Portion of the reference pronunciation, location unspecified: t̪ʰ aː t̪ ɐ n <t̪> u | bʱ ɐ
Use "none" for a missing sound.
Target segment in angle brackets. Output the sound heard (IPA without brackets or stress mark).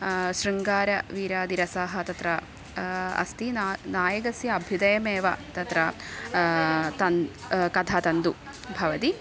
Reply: d̪